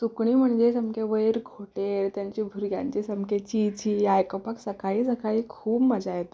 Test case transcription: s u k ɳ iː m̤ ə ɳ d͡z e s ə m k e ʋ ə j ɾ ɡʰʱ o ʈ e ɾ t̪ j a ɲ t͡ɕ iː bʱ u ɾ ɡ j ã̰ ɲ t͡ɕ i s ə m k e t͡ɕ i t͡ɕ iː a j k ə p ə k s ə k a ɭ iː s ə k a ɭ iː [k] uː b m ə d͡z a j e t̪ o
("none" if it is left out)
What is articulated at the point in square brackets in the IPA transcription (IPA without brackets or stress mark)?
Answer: kʰ